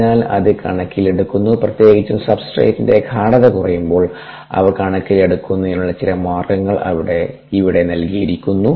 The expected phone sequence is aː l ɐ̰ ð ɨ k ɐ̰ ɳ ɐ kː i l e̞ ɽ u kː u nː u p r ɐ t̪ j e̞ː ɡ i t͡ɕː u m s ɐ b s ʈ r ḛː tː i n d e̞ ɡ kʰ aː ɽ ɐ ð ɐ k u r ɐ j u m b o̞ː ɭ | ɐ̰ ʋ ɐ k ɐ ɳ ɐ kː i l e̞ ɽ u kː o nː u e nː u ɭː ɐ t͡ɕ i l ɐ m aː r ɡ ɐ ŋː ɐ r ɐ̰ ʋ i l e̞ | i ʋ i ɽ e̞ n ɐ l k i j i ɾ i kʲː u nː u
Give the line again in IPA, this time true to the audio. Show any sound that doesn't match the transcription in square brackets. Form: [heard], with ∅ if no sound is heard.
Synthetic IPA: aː l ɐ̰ ð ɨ k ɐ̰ ɳ ɐ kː i l e̞ ɽ u kː u nː u p r ɐ t̪ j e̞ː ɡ i t͡ɕː u m s ɐ b s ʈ r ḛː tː i n d e̞ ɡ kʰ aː ɽ ɐ ð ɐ k u r ɐ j u m b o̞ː ɭ | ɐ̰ ʋ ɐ k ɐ ɳ ɐ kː i l e̞ ɽ u kː [u] nː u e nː u ɭː ɐ t͡ɕ i l ɐ m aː r ɡ ɐ ŋː ɐ [ɭ] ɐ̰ ʋ i [ɽ] e̞ | i ʋ i ɽ e̞ n ɐ l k i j i ɾ i kʲː u nː u

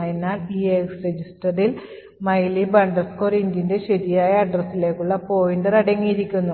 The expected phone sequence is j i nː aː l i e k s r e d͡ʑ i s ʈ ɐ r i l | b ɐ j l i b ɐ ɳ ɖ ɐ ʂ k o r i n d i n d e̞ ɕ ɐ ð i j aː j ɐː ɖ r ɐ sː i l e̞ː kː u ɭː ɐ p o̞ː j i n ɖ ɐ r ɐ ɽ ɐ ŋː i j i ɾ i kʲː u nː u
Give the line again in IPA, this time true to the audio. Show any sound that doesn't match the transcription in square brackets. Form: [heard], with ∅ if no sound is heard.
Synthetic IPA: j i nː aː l i e k s r e d͡ʑ i s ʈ ɐ r i l | [m] ɐ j l i b ɐ ɳ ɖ ɐ [s] k o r i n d i n d e̞ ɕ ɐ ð i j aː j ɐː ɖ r ɐ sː i l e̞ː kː u ɭː ɐ p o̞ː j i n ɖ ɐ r ɐ ɽ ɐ ŋː i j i ɾ i kʲː u nː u

